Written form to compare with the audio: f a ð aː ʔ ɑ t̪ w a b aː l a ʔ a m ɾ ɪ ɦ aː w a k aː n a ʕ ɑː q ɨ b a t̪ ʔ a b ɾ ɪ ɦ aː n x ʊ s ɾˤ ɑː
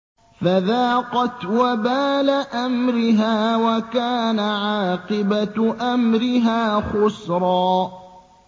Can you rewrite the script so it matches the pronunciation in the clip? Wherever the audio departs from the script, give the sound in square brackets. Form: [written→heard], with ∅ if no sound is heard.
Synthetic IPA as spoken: f a ð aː [ʔ→q] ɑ t̪ w a b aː l a ʔ a m ɾ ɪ ɦ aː w a k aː n a ʕ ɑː q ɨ b a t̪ ʔ a [b→m] ɾ ɪ ɦ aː [n→∅] x ʊ s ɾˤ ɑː